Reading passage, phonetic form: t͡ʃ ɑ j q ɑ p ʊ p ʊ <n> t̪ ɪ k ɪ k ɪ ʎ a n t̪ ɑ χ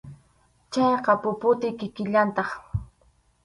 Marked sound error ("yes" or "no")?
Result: yes